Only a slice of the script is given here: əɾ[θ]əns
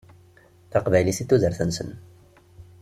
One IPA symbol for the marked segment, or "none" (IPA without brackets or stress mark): θ